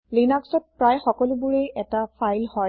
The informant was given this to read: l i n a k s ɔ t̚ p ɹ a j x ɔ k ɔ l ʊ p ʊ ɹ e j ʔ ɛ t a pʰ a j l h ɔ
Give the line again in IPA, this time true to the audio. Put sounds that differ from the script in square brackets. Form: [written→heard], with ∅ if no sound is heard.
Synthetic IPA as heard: l i n a k s ɔ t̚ p ɹ a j x ɔ k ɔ l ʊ [p→b] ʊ ɹ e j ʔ ɛ t a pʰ a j l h ɔ